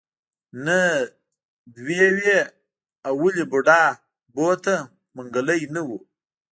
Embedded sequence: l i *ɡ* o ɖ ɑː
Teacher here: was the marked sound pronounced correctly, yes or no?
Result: no